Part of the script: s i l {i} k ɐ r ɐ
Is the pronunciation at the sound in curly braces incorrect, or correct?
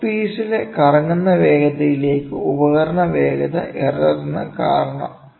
incorrect